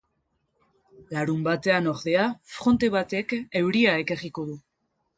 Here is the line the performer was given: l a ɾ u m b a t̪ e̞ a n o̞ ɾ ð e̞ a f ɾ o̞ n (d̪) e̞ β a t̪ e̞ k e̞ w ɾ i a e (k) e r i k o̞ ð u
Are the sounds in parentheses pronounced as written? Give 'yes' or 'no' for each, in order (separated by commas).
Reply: no, yes